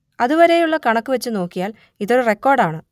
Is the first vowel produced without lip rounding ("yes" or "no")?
yes